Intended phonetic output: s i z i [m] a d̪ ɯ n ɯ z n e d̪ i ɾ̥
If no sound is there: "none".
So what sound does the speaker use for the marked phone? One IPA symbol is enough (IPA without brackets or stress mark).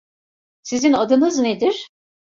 n